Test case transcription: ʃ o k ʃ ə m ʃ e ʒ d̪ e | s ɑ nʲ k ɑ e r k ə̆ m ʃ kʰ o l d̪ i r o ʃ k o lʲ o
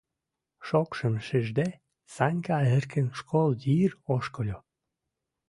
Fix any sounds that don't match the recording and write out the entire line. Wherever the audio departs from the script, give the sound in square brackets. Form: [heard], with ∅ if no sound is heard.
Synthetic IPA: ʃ o k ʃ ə m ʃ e ʒ d̪ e | s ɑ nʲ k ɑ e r k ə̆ [n] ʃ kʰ o l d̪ i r o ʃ k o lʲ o